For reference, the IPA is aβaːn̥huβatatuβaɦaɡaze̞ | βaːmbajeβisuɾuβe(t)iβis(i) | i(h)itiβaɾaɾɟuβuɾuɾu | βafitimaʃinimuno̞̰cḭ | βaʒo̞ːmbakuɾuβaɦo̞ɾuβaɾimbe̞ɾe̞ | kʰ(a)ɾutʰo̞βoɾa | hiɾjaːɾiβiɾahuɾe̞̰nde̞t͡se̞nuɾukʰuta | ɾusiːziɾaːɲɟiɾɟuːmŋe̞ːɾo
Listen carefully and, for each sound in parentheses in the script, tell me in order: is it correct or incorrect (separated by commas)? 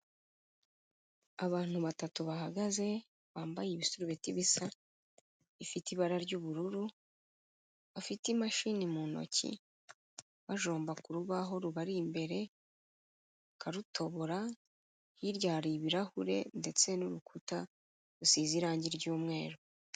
correct, incorrect, incorrect, correct